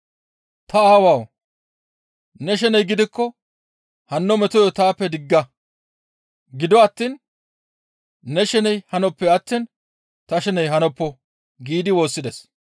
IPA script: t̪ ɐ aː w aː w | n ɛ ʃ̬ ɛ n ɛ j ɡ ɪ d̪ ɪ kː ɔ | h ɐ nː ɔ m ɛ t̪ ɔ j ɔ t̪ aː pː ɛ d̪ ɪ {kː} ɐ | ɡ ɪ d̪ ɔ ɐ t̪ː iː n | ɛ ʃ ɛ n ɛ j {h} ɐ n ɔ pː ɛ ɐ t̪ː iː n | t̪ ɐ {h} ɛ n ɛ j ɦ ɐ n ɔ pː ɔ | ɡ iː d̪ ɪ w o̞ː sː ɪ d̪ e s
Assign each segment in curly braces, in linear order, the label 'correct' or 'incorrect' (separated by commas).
incorrect, correct, incorrect